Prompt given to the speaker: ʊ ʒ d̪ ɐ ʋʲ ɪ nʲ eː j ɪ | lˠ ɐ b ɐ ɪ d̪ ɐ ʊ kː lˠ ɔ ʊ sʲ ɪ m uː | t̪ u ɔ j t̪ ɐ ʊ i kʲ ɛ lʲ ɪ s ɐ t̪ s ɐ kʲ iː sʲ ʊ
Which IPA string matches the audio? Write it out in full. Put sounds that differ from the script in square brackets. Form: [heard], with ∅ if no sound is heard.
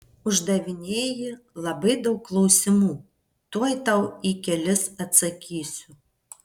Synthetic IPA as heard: ʊ ʒ d̪ ɐ ʋʲ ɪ nʲ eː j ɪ | lˠ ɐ b ɐ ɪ d̪ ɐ ʊ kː lˠ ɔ ʊ sʲ ɪ m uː | t̪ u ɔ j t̪ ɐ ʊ i kʲ ɛ lʲ ɪ s ɐ t̪ s ɐ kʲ iː sʲ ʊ